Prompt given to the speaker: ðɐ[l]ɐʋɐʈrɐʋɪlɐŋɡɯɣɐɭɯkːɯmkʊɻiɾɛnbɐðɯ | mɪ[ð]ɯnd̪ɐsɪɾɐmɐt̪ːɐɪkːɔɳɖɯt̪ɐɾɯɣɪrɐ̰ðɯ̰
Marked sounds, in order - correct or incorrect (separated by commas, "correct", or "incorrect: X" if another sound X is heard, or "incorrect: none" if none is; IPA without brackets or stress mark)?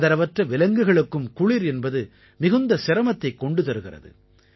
incorrect: ɾ, incorrect: ɣ